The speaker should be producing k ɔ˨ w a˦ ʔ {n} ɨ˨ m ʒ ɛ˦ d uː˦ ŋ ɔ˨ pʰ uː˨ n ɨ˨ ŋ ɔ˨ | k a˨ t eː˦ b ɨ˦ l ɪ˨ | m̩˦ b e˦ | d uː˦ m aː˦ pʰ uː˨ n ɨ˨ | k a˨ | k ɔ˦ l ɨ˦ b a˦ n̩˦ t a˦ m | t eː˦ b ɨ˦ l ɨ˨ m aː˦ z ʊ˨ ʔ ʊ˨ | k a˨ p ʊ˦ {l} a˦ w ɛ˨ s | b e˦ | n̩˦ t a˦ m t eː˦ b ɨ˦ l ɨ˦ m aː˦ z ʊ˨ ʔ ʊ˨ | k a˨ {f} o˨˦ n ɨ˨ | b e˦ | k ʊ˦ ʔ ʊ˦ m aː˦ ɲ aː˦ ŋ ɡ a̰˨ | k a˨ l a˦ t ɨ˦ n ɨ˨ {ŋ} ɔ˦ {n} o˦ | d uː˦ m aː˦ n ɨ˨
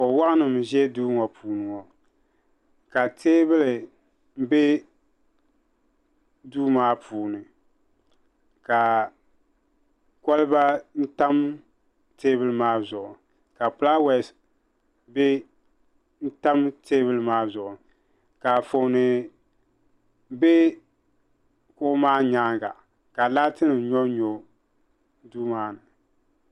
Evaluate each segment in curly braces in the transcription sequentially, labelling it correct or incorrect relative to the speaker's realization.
correct, correct, correct, incorrect: ɲ, incorrect: ɲ

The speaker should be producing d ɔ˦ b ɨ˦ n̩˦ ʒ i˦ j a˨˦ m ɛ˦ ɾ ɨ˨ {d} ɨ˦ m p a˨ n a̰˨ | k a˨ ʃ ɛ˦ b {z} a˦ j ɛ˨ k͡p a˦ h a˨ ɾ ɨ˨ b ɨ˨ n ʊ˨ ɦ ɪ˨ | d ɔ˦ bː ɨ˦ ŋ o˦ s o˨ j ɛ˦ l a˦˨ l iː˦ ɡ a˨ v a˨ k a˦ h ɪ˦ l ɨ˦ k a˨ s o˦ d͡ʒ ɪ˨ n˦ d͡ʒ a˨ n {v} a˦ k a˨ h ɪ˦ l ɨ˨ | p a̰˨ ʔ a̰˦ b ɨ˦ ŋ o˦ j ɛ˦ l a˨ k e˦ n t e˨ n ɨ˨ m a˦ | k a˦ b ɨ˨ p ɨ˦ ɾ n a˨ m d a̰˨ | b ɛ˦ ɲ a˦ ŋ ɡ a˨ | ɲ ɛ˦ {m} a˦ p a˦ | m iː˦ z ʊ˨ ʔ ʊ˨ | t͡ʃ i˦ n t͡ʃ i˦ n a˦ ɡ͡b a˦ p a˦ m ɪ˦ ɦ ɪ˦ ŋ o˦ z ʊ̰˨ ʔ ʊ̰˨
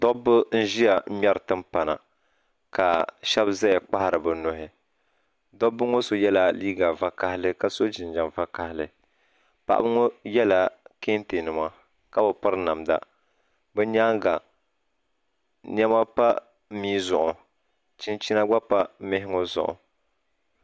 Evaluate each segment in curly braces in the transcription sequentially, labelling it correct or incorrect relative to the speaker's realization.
incorrect: t, correct, correct, correct

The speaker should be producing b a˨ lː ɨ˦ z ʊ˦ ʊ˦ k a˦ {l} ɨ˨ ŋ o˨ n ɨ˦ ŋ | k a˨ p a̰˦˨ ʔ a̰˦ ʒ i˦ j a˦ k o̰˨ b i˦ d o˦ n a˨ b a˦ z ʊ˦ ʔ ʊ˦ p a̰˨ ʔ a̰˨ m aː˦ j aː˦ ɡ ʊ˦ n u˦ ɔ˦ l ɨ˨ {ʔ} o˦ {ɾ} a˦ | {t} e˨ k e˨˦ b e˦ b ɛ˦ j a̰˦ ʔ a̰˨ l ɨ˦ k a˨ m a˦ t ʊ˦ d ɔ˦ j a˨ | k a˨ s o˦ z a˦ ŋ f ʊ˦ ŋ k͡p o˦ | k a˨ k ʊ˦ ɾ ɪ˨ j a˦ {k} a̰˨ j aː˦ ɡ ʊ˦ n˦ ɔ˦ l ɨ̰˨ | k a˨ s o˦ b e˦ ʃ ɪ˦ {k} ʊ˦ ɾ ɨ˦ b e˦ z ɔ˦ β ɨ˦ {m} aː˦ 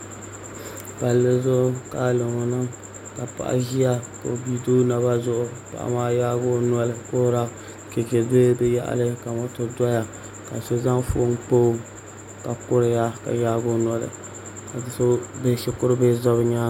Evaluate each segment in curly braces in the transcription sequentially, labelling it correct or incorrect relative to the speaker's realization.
correct, incorrect: k, correct, incorrect: k, correct, correct, incorrect: ɲ

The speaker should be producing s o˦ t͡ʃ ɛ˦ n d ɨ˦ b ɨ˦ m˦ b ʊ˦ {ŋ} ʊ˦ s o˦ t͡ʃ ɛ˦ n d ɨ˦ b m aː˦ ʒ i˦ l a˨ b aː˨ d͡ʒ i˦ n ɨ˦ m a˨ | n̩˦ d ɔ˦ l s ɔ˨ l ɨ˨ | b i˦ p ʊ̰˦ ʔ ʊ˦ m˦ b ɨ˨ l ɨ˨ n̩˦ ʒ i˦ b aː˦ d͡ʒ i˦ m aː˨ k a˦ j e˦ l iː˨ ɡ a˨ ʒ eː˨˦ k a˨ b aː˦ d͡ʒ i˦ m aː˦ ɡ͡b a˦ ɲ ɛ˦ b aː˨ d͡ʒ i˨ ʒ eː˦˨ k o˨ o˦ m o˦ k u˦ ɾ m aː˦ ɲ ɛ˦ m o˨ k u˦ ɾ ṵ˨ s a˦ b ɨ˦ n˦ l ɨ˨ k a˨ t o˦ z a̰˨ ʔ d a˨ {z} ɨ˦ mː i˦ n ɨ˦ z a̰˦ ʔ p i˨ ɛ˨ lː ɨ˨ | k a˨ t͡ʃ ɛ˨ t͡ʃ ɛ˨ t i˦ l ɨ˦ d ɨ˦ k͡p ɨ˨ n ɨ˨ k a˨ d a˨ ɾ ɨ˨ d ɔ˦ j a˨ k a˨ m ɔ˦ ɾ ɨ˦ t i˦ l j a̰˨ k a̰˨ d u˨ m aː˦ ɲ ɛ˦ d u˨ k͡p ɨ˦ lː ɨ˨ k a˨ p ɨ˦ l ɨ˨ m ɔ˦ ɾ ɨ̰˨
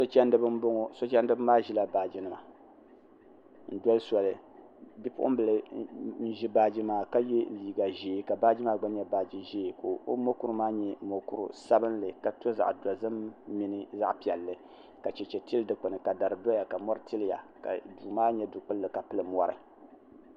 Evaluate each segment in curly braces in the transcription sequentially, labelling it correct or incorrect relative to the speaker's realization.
correct, correct

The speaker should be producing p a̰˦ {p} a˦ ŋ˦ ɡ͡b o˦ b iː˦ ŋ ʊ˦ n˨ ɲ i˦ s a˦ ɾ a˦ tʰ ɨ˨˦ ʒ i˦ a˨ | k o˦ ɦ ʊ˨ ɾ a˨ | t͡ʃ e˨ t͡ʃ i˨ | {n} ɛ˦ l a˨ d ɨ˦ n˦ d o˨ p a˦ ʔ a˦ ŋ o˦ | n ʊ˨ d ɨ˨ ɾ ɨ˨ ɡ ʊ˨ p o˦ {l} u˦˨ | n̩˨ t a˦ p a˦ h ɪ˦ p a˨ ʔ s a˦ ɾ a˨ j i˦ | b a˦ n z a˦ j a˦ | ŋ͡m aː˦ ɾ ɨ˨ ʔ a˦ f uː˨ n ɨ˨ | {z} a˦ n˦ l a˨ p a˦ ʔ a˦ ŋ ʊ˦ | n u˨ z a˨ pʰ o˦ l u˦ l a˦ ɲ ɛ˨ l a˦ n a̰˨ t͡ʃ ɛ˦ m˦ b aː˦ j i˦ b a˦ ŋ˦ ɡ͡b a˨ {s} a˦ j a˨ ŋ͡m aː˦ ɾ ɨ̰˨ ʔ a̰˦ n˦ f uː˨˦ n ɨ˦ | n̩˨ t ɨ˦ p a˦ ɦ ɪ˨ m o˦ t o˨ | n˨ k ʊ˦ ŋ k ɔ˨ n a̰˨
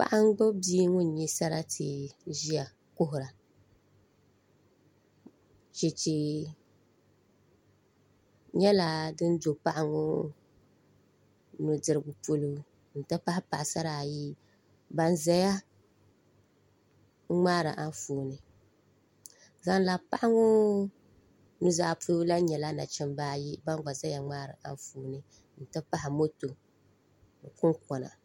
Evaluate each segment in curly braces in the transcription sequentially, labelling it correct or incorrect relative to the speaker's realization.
incorrect: ʔ, incorrect: ɲ, correct, correct, incorrect: z

